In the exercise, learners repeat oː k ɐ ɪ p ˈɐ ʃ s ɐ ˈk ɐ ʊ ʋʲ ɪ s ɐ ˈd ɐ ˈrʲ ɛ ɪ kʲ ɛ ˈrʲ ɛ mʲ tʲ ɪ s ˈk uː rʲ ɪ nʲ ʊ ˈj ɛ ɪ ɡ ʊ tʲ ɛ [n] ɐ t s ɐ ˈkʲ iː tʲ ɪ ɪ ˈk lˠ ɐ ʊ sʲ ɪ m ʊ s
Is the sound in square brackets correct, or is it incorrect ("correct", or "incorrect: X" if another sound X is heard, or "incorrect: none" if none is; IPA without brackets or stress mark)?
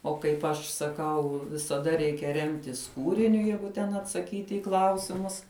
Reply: correct